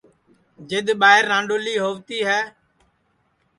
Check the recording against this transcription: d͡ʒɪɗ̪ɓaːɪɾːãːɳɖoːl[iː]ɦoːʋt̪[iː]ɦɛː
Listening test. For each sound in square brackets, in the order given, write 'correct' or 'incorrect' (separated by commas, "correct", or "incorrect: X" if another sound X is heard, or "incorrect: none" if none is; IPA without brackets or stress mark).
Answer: correct, correct